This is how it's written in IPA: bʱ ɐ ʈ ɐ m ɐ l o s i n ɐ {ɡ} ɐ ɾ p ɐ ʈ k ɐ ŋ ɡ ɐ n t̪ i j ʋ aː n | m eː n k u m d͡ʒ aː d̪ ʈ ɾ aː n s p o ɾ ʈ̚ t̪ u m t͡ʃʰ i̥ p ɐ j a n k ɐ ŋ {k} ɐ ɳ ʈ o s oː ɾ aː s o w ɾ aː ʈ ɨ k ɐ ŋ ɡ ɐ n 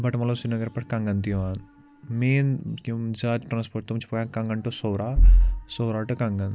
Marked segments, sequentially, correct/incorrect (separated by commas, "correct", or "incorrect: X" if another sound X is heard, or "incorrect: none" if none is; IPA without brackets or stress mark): correct, incorrect: ɡ